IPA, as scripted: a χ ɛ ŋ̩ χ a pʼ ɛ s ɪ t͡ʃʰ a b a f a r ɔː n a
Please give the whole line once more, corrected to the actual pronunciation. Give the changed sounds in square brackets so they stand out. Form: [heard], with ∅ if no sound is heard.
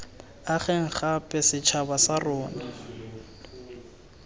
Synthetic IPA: a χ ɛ ŋ̩ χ a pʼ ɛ s ɪ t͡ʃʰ a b a [s] a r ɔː n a